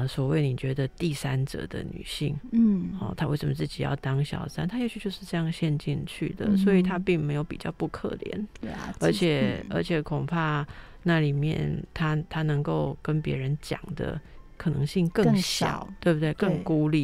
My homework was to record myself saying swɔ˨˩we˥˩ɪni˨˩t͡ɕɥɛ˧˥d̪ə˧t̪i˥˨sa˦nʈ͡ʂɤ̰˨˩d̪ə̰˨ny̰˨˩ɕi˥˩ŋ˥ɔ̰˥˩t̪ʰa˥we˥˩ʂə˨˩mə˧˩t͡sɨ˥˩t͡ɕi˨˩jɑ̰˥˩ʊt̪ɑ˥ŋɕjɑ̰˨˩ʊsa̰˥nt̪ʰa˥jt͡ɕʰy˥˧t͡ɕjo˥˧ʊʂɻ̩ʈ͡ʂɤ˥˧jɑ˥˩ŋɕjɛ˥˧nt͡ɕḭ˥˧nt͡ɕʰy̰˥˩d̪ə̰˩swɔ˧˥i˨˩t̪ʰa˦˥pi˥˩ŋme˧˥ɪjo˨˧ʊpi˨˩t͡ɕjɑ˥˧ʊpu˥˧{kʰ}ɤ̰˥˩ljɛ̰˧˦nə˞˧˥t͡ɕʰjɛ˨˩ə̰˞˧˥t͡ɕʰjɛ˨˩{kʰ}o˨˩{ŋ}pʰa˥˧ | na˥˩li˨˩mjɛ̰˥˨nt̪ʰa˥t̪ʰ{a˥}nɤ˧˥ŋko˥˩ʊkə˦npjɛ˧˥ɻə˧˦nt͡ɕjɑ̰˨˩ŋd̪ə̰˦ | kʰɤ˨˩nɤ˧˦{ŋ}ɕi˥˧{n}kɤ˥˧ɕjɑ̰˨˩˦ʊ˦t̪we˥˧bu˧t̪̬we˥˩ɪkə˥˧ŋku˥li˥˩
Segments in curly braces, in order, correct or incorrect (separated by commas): correct, correct, correct, correct, correct, incorrect